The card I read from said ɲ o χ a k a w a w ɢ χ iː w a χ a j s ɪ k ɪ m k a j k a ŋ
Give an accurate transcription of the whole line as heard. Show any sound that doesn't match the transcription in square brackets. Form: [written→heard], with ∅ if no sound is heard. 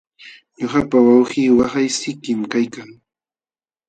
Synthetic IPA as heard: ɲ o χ a [k→p] a w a w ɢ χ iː w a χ a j s ɪ k ɪ m k a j k a ŋ